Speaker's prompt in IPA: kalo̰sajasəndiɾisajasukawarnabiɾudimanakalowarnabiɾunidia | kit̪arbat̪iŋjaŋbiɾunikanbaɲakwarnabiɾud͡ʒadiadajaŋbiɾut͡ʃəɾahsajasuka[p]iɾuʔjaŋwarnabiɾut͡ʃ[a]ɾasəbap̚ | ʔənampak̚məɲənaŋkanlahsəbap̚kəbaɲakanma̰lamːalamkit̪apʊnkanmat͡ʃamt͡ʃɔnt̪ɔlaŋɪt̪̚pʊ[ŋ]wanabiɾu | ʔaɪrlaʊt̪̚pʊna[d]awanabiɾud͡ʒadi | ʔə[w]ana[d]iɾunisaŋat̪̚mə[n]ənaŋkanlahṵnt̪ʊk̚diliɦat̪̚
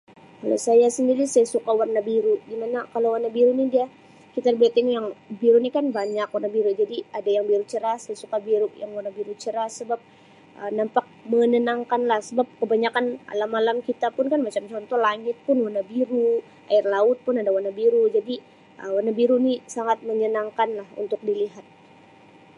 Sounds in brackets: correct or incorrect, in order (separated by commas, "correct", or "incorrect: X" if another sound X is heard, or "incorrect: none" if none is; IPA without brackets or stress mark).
incorrect: b, incorrect: ə, incorrect: n, correct, correct, incorrect: b, incorrect: ɲ